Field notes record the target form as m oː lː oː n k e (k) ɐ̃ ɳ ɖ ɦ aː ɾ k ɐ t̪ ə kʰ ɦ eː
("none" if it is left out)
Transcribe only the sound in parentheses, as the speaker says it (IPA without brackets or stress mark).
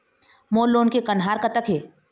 k